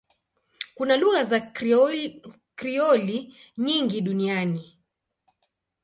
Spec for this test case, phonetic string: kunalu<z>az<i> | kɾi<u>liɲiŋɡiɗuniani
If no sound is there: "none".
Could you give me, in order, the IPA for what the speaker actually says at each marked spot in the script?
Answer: ɣ, a, ɔ

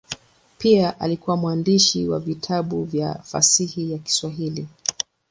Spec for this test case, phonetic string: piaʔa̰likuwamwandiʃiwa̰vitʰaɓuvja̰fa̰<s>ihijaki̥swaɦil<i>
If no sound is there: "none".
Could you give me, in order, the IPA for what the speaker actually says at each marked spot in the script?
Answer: s, i

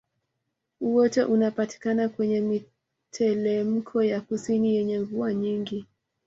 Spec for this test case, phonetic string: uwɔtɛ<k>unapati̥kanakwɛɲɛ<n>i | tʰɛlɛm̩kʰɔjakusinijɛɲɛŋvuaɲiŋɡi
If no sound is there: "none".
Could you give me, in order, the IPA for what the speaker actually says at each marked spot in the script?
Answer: ʔ, m

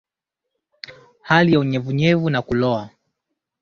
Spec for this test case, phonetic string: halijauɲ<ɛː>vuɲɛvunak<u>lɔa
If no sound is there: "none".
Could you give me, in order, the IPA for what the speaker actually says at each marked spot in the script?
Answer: ɛ, u

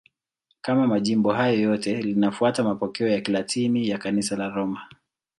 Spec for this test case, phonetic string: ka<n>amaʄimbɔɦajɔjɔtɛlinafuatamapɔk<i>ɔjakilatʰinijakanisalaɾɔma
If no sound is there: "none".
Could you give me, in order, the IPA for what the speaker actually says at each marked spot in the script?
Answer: m, ɛ

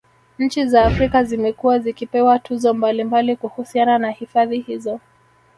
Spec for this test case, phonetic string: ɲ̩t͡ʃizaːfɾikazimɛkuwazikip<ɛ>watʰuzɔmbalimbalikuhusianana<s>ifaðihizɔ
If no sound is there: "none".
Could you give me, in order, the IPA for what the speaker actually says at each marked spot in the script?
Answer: ɛ, h

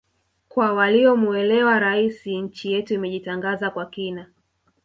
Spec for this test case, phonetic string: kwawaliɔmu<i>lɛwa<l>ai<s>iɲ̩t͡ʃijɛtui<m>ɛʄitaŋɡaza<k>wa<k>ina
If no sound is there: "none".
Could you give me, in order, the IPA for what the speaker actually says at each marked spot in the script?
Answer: ɛ, ɾ, s, m, k, k

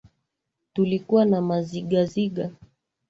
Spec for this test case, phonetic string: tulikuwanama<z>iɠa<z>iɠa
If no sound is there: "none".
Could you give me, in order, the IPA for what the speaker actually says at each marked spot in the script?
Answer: z, z

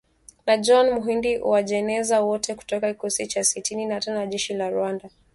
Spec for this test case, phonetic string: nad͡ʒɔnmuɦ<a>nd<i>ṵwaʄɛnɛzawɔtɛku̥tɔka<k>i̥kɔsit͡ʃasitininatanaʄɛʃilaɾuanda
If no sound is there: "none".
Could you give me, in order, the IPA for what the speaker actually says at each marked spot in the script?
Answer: i, i, k

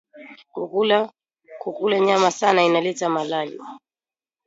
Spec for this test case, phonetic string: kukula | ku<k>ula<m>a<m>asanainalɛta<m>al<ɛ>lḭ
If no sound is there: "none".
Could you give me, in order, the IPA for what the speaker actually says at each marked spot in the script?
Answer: k, ɲ, m, m, a

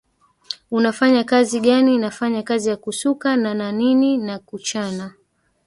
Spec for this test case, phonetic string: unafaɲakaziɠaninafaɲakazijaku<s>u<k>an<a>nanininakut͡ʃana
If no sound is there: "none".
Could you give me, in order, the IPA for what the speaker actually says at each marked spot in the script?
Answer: s, k, a

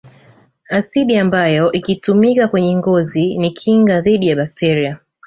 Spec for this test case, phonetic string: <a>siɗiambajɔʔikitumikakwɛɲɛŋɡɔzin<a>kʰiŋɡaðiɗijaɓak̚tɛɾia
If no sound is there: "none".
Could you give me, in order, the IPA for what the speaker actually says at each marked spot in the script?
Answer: a, i

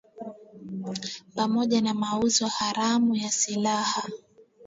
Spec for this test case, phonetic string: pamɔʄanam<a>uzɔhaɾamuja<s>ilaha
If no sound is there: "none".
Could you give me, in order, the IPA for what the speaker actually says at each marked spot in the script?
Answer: a, s

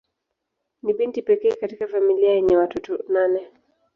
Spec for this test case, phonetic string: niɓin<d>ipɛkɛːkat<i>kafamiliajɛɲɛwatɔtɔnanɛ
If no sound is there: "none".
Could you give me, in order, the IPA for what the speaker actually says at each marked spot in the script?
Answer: t, i

